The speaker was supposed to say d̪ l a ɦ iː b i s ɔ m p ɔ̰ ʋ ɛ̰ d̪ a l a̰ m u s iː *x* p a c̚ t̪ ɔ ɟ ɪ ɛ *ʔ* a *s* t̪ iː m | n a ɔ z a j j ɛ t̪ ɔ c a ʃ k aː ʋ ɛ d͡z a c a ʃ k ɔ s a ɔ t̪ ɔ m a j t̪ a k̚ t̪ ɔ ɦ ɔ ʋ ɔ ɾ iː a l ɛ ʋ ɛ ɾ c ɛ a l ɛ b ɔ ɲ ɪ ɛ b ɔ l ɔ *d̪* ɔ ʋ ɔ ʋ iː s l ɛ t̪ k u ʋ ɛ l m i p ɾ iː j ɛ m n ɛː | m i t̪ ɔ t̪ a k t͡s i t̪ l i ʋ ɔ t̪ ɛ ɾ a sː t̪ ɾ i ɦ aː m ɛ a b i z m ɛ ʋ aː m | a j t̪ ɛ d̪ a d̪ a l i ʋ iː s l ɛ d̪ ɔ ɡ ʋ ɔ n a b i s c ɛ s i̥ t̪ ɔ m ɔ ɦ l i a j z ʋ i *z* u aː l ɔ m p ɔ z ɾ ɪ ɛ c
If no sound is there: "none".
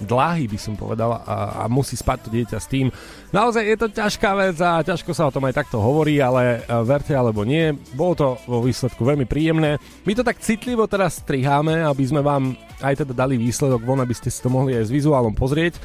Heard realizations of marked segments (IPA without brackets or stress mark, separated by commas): s, c, s, t̪, z